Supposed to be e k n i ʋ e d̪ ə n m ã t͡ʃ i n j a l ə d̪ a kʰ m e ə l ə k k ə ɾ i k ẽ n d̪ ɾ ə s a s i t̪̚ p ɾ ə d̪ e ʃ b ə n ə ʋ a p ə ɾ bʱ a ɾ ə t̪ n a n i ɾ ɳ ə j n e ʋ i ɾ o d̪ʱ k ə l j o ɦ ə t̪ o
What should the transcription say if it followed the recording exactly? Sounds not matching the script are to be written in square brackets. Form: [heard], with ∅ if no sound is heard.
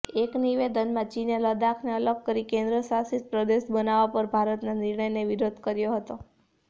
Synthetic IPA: e k n i ʋ e d̪ ə n m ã t͡ʃ i n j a l ə d̪ a kʰ [n] e ə l ə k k ə ɾ i k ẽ n d̪ ɾ ə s a s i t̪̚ p ɾ ə d̪ e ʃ b ə n [a] ʋ a p ə ɾ bʱ a ɾ ə t̪ n a n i ɾ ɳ ə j n e ʋ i ɾ o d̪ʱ k ə [ɾ] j o ɦ ə t̪ o